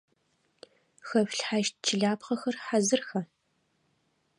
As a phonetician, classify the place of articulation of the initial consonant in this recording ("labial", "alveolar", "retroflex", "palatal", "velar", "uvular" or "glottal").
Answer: velar